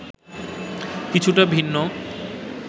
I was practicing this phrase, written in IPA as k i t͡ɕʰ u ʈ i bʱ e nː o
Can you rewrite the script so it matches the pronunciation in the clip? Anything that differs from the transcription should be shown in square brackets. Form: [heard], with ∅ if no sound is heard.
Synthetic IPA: k i t͡ɕʰ u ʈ [a] bʱ [i] nː o

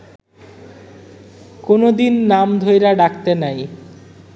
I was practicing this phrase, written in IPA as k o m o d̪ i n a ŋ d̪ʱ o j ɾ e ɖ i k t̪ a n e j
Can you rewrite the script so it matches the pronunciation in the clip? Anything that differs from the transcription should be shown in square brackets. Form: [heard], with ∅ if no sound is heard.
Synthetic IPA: k o [n] o d̪ i [nː] a [m] d̪ʱ o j ɾ [a] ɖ [a] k t̪ [e] n [a] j

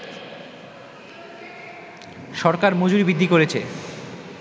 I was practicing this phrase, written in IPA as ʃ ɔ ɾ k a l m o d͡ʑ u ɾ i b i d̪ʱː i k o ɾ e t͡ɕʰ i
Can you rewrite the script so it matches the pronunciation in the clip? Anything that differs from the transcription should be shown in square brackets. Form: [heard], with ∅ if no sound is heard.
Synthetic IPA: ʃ ɔ ɾ k a [ɾ] m o d͡ʑ u ɾ i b i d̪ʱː i k o ɾ e t͡ɕʰ [e]

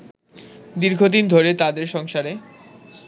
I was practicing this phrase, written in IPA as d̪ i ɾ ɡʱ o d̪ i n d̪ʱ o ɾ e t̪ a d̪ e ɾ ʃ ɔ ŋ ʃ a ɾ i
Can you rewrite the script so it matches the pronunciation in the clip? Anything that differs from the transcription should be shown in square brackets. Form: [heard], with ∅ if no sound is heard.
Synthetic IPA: d̪ i ɾ ɡʱ o d̪ i n d̪ʱ o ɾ e t̪ a d̪ e ɾ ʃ ɔ ŋ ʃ a ɾ [e]

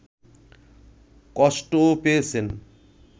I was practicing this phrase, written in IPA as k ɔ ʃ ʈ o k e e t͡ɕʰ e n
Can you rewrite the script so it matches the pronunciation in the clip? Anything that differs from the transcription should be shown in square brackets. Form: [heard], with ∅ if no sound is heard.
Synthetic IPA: k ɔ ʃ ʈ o [p] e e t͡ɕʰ e n

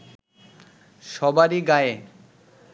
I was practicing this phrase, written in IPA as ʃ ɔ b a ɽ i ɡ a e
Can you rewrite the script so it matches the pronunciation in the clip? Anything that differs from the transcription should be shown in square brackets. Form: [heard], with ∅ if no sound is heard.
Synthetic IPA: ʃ ɔ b a [ɾ] i ɡ a e

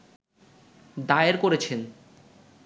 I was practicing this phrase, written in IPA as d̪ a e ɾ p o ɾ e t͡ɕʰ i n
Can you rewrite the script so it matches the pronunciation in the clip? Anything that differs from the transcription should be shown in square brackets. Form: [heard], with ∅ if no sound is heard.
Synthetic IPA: d̪ a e ɾ [k] o ɾ e t͡ɕʰ [e] n

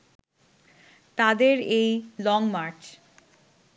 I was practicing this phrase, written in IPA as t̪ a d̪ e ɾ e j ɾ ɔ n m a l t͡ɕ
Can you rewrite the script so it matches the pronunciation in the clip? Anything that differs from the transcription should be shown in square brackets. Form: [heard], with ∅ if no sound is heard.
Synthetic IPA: t̪ a d̪ e ɾ e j [l] ɔ [ŋ] m a [ɾ] t͡ɕ

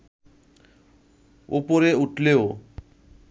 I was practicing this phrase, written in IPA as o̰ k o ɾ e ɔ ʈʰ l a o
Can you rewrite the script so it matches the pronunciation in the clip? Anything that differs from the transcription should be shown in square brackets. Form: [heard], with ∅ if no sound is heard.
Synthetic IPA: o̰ [p] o ɾ e [u] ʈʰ l [e] o

